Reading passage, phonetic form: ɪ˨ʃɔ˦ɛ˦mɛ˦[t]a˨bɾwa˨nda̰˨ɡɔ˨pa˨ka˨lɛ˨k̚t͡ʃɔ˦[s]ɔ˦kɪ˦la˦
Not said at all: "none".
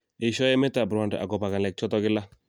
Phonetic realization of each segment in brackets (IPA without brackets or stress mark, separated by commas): t, t